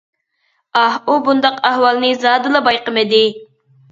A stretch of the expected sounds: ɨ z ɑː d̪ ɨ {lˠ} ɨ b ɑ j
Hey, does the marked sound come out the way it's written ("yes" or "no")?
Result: yes